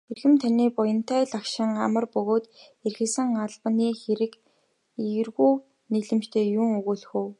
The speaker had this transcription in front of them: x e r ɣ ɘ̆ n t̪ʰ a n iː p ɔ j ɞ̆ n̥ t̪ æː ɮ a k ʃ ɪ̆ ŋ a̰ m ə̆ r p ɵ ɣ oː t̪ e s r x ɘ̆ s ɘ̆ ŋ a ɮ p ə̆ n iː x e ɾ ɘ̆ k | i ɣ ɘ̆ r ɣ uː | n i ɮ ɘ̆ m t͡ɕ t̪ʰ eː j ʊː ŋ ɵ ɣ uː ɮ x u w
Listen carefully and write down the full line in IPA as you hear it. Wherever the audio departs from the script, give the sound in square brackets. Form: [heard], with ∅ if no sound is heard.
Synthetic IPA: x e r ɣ ɘ̆ [m] t̪ʰ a n iː p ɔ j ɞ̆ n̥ t̪ æː ɮ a k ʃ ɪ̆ ŋ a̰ m ə̆ r p ɵ ɣ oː t̪ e [∅] r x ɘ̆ s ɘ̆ ŋ a ɮ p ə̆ n iː x e ɾ ɘ̆ k | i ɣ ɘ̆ r ɣ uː | n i ɮ ɘ̆ m t͡ɕ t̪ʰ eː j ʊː ŋ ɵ ɣ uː ɮ x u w